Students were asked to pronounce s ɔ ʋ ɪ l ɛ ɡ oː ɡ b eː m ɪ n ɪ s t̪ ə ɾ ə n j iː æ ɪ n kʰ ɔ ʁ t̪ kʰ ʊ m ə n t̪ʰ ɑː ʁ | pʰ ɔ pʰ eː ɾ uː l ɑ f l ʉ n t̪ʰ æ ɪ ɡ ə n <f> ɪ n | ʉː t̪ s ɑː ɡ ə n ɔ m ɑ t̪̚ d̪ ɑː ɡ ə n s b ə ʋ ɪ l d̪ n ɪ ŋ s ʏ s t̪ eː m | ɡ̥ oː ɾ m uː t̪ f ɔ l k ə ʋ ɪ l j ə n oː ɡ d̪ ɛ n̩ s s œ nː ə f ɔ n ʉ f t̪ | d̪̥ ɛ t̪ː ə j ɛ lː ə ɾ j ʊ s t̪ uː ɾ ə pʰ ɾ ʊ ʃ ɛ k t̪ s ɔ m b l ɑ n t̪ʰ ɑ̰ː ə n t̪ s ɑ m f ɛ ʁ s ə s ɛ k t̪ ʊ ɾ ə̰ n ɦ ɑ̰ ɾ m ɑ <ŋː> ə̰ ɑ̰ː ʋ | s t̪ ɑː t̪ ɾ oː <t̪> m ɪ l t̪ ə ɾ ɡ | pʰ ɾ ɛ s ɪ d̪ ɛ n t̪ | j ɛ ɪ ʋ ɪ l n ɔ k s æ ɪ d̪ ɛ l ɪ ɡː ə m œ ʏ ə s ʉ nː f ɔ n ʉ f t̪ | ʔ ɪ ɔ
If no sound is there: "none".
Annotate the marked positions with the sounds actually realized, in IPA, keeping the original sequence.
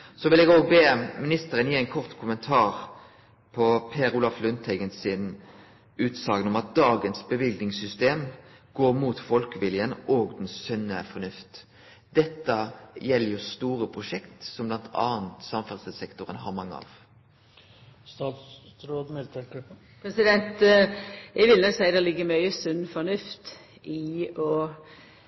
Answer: s, ŋː, d̪

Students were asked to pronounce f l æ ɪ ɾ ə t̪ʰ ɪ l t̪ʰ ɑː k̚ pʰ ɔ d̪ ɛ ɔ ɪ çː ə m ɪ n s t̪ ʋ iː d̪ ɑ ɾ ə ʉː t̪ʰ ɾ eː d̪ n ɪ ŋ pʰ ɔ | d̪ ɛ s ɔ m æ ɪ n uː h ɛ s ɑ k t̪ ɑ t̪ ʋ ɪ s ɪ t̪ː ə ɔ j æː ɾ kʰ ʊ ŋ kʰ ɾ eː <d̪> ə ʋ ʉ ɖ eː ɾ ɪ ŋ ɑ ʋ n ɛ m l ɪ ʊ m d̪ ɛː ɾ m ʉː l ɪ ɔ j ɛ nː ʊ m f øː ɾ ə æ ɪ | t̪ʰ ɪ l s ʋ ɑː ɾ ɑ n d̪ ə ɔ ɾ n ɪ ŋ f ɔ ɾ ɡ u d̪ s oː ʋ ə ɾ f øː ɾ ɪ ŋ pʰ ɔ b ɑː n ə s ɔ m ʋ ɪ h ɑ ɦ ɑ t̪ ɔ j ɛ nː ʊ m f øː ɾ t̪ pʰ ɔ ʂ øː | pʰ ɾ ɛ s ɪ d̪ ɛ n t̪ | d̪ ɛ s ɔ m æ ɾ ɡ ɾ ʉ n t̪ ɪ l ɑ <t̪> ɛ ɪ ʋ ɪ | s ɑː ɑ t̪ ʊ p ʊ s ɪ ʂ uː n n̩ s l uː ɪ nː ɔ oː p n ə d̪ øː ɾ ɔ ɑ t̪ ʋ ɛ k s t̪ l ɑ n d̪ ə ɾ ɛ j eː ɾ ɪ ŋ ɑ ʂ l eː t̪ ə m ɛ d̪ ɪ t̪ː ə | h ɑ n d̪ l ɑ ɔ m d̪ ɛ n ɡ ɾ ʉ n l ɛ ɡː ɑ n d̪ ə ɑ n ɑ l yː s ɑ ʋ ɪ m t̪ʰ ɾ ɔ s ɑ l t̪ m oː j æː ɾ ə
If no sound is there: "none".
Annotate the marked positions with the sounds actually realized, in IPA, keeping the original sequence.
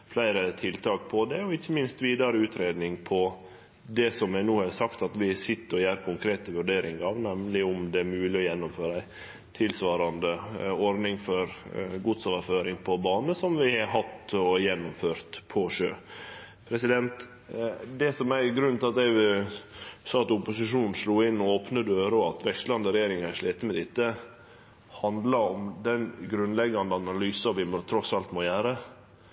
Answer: t̪, t̪

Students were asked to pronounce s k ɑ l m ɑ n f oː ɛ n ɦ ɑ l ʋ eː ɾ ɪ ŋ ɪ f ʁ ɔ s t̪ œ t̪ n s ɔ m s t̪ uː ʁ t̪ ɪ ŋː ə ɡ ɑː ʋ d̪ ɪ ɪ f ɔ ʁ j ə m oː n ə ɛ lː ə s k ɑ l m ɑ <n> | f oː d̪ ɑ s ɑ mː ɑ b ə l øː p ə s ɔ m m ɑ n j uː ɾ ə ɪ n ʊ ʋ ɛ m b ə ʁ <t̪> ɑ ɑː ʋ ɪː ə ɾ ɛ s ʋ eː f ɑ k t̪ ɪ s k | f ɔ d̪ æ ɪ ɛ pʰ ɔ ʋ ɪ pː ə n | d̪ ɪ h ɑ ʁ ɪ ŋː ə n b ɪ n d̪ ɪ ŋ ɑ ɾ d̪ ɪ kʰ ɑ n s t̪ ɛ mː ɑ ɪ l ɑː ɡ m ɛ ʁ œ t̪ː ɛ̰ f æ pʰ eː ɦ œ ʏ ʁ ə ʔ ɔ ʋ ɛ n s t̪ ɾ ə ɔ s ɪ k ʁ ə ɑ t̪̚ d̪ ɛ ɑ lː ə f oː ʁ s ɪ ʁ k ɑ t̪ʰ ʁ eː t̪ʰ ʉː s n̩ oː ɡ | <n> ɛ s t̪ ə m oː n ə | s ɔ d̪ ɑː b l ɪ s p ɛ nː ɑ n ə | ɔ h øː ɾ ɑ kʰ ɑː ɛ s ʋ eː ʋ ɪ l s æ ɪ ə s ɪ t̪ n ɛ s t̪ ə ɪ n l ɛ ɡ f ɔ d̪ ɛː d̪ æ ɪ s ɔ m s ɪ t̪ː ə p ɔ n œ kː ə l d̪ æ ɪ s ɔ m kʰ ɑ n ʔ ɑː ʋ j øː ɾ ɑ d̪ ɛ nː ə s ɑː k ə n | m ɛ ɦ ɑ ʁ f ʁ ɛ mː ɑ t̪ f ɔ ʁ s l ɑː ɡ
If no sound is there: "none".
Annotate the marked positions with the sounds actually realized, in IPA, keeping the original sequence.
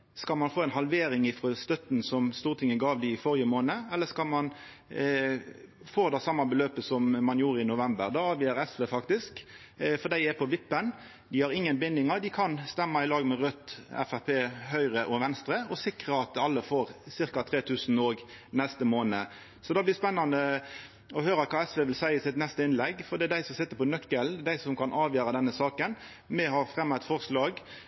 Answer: n, d̪, n

